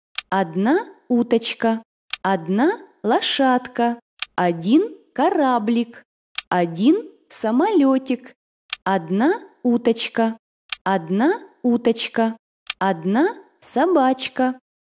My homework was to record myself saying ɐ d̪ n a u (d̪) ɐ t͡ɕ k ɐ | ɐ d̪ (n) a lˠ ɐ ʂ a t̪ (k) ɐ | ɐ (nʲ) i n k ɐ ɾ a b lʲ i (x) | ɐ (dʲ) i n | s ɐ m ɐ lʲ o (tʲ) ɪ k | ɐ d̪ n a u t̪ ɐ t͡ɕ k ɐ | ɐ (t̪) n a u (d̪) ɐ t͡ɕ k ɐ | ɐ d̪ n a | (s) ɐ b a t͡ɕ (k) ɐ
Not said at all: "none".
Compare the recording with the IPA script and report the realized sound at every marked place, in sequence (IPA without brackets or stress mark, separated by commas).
t̪, n, k, dʲ, k, dʲ, tʲ, d̪, t̪, s, k